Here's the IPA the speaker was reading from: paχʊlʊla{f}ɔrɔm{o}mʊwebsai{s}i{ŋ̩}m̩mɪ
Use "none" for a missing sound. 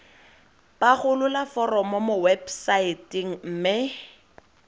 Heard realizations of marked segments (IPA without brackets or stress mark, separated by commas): f, ɔ, t, ŋ̩